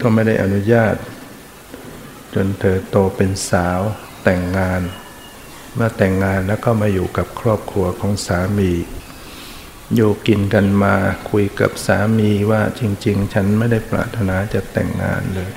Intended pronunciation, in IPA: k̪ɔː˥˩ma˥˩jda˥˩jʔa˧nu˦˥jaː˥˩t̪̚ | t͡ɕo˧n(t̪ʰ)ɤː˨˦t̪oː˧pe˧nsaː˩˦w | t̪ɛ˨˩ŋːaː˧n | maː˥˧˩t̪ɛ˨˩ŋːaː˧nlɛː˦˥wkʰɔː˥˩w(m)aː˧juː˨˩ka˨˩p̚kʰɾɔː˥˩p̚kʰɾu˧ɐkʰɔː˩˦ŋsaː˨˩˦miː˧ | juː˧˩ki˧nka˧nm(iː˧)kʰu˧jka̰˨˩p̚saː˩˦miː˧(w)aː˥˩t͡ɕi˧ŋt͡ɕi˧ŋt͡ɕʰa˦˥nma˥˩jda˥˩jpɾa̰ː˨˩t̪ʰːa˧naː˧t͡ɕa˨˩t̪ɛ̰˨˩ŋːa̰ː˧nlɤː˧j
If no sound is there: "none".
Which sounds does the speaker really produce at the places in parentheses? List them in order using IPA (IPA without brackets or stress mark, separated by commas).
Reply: t̪ʰ, m, aː˧, w